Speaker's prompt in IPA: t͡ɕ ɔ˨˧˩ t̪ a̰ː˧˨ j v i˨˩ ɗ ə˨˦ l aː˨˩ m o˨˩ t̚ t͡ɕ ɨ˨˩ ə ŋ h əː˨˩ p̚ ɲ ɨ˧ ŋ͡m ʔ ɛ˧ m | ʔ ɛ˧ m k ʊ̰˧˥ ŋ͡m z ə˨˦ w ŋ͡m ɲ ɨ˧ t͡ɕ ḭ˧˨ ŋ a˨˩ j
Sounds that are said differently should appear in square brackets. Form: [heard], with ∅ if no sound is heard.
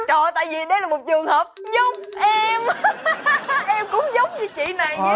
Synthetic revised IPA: t͡ɕ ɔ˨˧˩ t̪ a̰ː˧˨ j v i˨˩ ɗ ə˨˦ l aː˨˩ m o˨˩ t̚ t͡ɕ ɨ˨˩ ə ŋ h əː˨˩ p̚ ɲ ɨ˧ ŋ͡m ʔ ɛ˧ m | ʔ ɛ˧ m k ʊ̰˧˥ ŋ͡m z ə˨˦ w ŋ͡m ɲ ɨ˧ t͡ɕ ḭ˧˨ [n] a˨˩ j